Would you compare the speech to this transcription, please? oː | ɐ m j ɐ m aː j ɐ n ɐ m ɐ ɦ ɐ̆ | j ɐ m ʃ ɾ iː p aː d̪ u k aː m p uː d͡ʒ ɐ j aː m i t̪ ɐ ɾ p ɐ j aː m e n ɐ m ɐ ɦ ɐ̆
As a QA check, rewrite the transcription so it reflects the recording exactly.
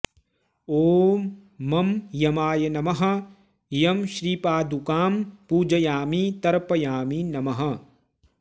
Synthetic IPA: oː | ɐ m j ɐ m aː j ɐ n ɐ m ɐ ɦ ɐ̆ | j ɐ m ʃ ɾ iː p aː d̪ u k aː m p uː d͡ʒ ɐ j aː m i t̪ ɐ ɾ p ɐ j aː m i n ɐ m ɐ ɦ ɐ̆